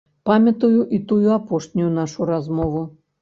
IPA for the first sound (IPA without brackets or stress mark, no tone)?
p